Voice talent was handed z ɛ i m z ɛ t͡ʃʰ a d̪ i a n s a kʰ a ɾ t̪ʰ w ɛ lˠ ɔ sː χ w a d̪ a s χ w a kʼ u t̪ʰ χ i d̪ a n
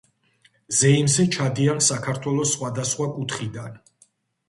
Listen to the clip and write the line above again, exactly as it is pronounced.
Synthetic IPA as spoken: z ɛ i m z ɛ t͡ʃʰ a d̪ i a n s a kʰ a ɾ t̪ʰ w ɛ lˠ ɔ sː χ w a d̪ a s χ w a kʼ u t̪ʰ χ i d̪ a n